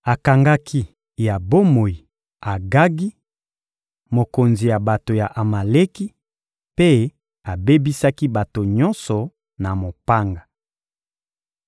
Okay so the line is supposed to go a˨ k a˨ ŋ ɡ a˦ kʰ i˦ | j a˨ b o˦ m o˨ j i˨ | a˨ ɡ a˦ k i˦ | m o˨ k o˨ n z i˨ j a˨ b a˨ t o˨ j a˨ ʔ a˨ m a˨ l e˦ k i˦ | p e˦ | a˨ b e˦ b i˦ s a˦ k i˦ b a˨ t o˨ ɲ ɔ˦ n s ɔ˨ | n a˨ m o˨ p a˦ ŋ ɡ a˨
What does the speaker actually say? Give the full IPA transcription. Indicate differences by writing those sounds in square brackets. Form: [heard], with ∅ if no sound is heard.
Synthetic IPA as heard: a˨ k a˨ ŋ ɡ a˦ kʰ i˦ | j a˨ b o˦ m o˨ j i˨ | a˨ ɡ a˦ [ɡ] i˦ | m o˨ k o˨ n z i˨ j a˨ b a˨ t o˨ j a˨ ʔ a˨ m a˨ l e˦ k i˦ | p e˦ | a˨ b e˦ b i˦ s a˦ k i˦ b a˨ t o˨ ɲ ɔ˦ n s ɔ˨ | n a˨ m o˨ p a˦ ŋ ɡ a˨